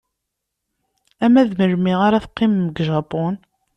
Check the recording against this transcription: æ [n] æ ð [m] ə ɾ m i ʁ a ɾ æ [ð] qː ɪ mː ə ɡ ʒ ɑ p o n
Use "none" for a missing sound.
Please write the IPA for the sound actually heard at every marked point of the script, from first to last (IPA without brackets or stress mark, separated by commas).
m, m, θ